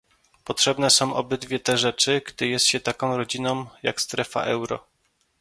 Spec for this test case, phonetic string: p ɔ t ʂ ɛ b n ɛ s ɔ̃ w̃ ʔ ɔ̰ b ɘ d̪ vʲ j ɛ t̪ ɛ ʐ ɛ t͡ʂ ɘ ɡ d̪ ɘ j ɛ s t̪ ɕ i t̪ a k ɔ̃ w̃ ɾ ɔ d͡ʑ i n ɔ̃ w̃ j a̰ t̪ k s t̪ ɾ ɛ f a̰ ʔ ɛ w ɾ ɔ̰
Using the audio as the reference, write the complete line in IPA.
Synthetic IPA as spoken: p ɔ t ʂ ɛ b n ɛ s ɔ̃ w̃ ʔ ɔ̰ b ɘ d̪ vʲ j ɛ t̪ ɛ ʐ ɛ t͡ʂ ɘ ɡ d̪ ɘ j ɛ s t̪ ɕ ɛ t̪ a k ɔ̃ w̃ ɾ ɔ d͡ʑ i n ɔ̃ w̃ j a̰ k s t̪ ɾ ɛ f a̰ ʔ ɛ w ɾ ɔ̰